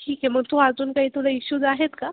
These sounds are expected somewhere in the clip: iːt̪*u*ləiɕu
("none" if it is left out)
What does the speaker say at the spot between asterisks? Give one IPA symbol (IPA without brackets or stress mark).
u